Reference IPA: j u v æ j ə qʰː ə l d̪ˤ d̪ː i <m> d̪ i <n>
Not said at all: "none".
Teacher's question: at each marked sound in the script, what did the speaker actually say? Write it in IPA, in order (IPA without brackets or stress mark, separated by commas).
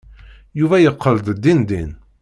n, n